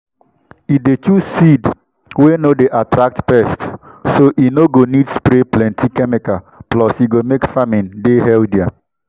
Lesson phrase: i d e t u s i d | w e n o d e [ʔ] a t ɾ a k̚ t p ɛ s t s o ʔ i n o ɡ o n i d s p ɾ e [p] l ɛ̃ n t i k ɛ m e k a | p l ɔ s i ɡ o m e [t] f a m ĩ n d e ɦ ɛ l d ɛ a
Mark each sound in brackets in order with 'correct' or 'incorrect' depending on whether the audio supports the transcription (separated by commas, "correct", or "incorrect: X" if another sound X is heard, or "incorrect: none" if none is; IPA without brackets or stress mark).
correct, correct, incorrect: k